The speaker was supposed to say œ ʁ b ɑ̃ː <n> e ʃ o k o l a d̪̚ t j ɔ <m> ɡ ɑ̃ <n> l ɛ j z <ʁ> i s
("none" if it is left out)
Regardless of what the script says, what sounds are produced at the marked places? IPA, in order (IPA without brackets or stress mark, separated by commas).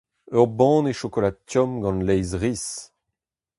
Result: n, m, n, ʁ